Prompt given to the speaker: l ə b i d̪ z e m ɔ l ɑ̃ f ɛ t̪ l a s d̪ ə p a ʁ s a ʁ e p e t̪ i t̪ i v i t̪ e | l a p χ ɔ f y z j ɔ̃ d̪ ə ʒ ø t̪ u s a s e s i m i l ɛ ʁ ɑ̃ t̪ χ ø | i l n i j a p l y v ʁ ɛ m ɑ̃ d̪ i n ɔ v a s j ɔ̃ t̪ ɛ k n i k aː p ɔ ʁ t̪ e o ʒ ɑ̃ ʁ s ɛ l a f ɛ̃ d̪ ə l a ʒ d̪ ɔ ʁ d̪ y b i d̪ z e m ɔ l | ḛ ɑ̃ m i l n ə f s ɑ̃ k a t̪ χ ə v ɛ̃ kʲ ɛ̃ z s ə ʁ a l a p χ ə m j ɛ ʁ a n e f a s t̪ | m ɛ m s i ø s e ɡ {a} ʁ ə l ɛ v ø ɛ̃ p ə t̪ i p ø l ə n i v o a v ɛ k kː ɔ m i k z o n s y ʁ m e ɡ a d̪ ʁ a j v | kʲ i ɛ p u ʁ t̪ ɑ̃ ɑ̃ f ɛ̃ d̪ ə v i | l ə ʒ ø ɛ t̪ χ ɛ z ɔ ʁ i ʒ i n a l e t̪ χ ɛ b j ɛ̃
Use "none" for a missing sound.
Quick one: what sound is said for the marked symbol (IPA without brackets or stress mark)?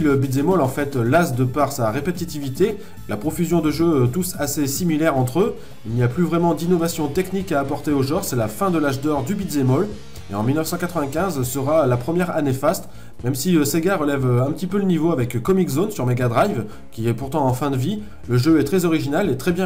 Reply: a